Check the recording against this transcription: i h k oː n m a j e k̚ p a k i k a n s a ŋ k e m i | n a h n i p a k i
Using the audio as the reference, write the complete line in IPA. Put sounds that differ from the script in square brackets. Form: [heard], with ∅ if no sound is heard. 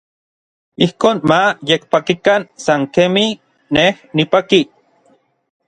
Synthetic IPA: i h k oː n m a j e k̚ p a k i k a n s a ŋ k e m i | n [e] h n i p a k i

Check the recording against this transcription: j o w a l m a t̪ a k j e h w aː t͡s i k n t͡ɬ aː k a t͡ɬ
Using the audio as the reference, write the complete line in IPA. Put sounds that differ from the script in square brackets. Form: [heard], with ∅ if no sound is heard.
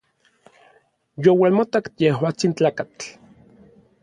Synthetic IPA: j o w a l m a t̪ a k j e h w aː t͡s i [∅] n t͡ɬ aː k a t͡ɬ

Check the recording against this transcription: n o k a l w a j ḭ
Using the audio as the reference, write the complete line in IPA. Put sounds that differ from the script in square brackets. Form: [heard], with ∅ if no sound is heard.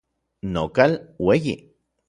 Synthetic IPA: n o k a l w [e] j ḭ

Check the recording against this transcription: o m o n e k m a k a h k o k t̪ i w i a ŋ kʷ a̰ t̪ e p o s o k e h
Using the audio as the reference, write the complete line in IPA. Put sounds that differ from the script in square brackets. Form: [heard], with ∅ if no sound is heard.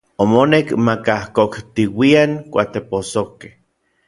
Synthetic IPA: o m o n e k m a k a h k o k t̪ i w i a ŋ kʷ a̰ t̪ e p o s o k e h

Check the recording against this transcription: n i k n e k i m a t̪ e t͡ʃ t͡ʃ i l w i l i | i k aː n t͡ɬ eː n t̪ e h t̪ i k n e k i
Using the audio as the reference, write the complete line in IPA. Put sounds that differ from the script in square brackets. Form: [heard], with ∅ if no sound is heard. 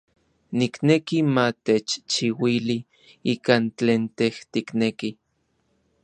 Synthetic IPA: n i k n e k i m a t̪ e t͡ʃ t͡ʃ i [∅] w i l i | i k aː n t͡ɬ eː n t̪ e h t̪ i k n e k i

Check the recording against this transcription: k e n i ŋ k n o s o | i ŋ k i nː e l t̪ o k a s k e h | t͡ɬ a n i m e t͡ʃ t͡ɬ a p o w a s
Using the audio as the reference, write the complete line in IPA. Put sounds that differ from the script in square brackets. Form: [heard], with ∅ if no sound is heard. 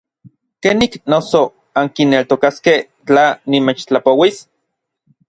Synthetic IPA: k e n i [∅] k n o s o | [a] ŋ k i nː e l t̪ o k a s k e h | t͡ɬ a n i m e t͡ʃ t͡ɬ a p o w [i] s

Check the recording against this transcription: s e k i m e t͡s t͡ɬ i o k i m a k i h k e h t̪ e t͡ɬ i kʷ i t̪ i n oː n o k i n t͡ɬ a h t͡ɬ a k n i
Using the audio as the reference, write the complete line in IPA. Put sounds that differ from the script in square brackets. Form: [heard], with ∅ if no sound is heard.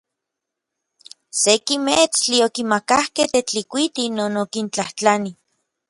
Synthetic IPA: s e k i m e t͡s t͡ɬ i o k i m a k [a] h k e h t̪ e t͡ɬ i kʷ i t̪ i n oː n o k i n t͡ɬ a h t͡ɬ a [∅] n i

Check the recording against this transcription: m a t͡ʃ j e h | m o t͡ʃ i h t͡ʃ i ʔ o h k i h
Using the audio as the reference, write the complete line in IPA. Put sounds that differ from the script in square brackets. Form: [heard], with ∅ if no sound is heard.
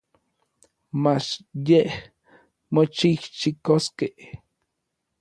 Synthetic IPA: m a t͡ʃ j e h | m o t͡ʃ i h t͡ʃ i [k] o [s] k [e] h

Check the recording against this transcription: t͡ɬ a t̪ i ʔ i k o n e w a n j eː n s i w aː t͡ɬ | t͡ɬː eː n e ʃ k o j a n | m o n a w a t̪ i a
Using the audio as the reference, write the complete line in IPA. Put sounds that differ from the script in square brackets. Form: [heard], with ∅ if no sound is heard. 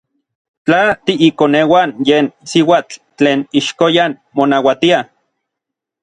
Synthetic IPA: t͡ɬ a t̪ i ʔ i k o n e w a n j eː n s i w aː t͡ɬ | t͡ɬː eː n [i] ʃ k o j a n | m o n a w a t̪ i a

